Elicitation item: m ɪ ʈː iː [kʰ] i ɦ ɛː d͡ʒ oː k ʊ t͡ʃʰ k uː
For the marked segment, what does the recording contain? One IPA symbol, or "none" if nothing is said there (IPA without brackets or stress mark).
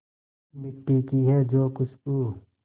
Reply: k